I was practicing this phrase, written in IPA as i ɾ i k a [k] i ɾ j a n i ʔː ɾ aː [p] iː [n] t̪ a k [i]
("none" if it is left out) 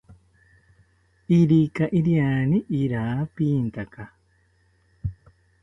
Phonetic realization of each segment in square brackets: ʔ, p, n, a

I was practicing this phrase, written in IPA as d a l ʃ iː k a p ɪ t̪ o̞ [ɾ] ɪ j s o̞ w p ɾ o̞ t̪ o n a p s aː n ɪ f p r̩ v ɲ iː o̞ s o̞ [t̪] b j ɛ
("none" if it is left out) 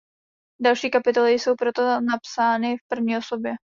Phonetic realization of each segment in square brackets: l, none

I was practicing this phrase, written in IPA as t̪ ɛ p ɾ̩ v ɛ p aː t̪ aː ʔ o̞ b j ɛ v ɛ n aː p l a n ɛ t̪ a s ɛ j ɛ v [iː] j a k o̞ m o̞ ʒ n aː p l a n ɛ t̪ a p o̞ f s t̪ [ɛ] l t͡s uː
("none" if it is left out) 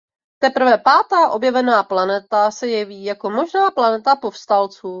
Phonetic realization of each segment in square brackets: iː, a

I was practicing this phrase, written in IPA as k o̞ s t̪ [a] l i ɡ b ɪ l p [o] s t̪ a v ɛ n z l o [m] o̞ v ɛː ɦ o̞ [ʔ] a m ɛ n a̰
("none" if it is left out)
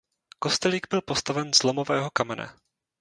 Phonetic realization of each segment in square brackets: ɛ, o, m, k

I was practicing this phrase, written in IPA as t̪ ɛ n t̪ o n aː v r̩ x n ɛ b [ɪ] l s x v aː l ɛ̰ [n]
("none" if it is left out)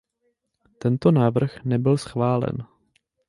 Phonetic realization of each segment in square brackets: ɪ, n

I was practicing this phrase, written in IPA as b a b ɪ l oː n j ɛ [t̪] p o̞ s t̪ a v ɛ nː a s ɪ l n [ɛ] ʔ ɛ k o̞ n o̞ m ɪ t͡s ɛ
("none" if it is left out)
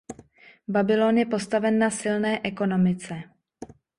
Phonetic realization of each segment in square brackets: none, ɛː

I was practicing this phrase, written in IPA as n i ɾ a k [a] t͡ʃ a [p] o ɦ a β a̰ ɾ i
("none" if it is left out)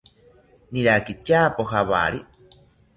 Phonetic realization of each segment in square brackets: i, p

